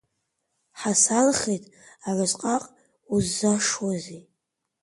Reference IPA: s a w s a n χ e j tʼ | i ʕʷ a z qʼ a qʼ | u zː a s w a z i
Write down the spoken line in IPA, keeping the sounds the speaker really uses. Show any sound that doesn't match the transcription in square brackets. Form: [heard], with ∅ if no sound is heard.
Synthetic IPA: [ħ] a [∅] s a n χ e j tʼ | [a] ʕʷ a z qʼ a qʼ | u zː a [ʂ] w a z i